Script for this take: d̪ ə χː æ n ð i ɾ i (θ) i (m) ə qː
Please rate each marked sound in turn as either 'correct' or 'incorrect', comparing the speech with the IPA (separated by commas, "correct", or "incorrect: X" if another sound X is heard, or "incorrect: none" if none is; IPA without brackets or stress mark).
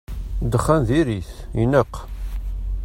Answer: correct, incorrect: n